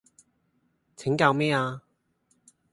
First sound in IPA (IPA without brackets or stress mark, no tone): t͡sʰ